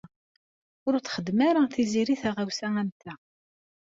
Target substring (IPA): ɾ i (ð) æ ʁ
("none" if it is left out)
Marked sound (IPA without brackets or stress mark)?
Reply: θ